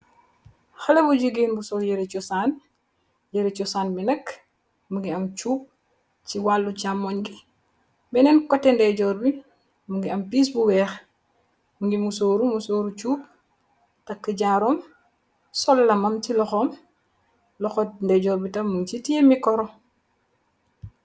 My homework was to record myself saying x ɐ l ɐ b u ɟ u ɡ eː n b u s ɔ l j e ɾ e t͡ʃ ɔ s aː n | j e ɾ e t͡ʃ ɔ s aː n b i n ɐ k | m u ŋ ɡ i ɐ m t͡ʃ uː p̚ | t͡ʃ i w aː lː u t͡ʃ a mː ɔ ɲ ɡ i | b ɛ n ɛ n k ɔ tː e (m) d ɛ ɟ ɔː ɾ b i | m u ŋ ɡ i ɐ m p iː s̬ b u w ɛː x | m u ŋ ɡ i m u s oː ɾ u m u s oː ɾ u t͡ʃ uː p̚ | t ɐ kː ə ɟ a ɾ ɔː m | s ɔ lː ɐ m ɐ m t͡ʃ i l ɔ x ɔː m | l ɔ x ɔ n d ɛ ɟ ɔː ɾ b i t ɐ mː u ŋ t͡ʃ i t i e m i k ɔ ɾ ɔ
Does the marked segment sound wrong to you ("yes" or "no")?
yes